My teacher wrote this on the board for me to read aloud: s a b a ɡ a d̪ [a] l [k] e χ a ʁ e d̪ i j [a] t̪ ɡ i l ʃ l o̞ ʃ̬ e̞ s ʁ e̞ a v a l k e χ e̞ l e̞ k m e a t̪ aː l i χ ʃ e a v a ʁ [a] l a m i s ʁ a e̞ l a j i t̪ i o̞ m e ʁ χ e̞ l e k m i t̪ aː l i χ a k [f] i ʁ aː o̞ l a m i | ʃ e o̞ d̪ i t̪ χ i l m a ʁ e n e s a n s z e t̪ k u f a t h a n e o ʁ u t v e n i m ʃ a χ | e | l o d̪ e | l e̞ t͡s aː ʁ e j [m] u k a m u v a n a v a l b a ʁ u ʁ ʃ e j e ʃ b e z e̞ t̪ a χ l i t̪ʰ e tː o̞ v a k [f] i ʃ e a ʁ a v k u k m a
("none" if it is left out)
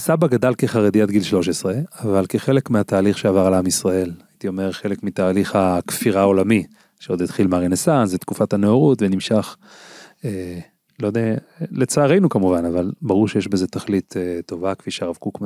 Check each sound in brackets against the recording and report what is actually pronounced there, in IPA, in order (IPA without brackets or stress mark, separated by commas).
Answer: a, k, a, a, f, n, f